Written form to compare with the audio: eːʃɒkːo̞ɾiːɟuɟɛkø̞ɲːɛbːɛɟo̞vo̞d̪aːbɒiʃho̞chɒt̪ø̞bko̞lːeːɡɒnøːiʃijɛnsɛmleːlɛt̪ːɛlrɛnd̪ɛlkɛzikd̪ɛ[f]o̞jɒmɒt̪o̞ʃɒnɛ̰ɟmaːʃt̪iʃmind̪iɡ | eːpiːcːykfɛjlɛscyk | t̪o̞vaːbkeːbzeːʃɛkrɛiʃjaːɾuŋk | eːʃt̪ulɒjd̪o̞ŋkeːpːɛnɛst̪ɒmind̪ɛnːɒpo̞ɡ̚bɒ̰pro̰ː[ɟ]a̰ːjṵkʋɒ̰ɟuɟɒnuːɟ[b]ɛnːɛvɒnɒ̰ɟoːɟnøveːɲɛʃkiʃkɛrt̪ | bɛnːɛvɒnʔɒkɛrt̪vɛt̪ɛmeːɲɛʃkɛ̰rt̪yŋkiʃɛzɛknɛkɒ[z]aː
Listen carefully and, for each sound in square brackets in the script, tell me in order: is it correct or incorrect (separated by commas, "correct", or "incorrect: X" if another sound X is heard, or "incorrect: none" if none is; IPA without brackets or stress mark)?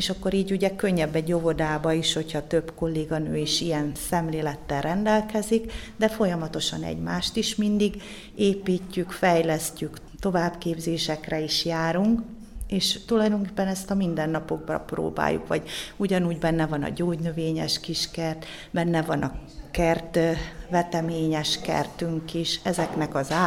correct, incorrect: b, correct, correct